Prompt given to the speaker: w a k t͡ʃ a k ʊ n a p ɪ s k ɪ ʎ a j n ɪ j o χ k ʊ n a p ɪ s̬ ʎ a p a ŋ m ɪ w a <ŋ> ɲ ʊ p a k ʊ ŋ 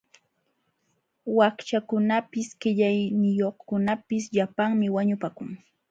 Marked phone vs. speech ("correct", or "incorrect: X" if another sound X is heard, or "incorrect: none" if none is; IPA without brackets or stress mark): incorrect: none